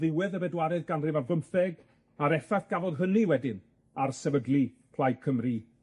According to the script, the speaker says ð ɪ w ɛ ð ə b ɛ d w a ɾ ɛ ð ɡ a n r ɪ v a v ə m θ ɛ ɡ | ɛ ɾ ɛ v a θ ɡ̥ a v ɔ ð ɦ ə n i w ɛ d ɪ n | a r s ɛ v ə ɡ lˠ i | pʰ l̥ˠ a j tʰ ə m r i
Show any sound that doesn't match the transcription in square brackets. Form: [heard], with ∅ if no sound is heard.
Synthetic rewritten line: ð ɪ w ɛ ð ə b ɛ d w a ɾ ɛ ð ɡ a n r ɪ v a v ə m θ ɛ ɡ | [a] ɾ ɛ [f] a θ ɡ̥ a v ɔ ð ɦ ə n i w ɛ d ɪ n | a r s ɛ v ə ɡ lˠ i | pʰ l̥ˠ a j [kʰ] ə m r i